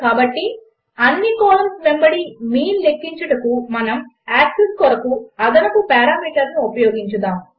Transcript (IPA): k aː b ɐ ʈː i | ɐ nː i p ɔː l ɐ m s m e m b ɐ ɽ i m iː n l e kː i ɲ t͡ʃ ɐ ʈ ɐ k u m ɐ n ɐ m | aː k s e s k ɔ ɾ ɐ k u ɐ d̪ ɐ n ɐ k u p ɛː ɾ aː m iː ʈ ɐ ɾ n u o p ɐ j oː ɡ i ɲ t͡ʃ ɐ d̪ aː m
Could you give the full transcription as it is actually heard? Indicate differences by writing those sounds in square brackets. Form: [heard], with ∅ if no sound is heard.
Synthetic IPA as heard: k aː b ɐ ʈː i | ɐ nː i [k] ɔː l ɐ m s m e m b ɐ ɽ i m iː n l e kː i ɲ t͡ʃ ɐ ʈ ɐ k u m ɐ n ɐ m | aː k s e s k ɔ ɾ ɐ k u ɐ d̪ ɐ n ɐ k u p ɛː ɾ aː m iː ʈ ɐ ɾ n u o p ɐ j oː ɡ i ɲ t͡ʃ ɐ d̪ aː m